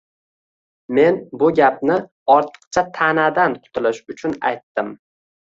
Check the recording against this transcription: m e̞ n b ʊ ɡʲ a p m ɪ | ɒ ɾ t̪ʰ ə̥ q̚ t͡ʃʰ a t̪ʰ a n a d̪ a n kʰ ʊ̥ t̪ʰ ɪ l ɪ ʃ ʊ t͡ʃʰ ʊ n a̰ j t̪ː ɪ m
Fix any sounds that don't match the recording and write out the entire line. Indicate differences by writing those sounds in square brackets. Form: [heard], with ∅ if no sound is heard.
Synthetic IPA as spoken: m e̞ n b ʊ ɡʲ a p [n] ɪ | ɒ ɾ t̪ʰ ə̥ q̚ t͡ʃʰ a t̪ʰ a n a d̪ a n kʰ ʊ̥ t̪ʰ ɪ l ɪ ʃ ʊ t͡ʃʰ ʊ n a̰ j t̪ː ɪ m